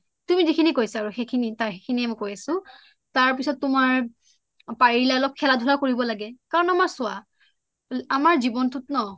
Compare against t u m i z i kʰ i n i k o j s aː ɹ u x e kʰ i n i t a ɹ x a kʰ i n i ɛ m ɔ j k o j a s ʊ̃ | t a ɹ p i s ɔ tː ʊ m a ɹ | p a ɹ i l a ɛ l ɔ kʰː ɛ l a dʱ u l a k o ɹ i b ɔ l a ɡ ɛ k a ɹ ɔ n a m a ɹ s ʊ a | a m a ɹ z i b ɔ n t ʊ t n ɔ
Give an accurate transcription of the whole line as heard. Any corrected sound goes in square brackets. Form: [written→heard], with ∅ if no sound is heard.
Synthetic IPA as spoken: t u m i z i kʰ i n i k o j s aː ɹ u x e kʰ i n i t a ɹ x [a→e] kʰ i n i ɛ m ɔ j k o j a s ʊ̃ | t a ɹ p i s ɔ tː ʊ m a ɹ | p a ɹ i l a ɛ l ɔ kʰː ɛ l a dʱ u l a k o ɹ i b ɔ l a ɡ ɛ k a ɹ ɔ n a m a ɹ s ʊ a | a m a ɹ z i b ɔ n t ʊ t n ɔ